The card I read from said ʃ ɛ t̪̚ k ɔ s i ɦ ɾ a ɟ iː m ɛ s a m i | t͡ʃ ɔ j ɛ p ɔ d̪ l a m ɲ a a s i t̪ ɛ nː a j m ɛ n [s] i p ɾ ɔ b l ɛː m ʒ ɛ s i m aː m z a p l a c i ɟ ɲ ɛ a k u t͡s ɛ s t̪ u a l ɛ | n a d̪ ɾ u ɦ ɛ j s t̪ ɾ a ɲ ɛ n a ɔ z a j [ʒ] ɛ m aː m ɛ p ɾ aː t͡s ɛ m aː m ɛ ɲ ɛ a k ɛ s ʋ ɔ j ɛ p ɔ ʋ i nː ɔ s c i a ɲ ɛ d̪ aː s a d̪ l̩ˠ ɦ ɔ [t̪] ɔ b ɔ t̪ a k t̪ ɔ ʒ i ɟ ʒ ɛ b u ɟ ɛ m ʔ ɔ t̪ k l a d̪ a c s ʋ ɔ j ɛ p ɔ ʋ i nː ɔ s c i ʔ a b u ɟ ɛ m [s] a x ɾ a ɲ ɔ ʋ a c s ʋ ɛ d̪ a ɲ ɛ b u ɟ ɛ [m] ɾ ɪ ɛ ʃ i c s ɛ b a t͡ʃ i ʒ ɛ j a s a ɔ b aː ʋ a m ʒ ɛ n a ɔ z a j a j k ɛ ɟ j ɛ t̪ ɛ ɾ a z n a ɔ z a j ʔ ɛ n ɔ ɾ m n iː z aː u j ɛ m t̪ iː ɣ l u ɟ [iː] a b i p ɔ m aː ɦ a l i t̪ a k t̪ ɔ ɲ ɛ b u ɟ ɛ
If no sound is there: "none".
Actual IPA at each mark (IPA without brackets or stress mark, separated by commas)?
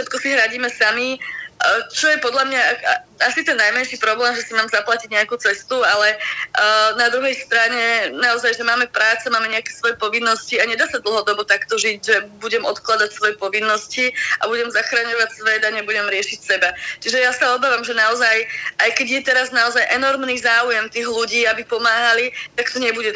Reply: ʃ, ʒ, d̪, z, m, iː